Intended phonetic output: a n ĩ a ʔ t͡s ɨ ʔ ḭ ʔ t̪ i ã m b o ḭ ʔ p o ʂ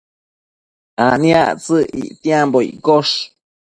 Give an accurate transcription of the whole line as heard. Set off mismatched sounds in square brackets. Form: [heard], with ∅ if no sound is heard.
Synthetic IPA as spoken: a n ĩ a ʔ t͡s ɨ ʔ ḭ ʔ t̪ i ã m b o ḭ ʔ [k] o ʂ